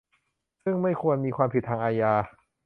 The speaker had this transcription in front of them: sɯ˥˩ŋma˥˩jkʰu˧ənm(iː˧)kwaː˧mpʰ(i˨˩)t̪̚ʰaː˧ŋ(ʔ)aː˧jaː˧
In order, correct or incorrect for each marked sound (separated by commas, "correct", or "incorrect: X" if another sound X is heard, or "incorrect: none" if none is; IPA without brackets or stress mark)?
correct, correct, correct